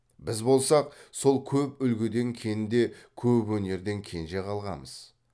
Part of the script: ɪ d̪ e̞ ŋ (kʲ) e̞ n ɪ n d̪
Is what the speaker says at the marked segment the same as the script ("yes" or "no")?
no